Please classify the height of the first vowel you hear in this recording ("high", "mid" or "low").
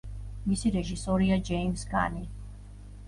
high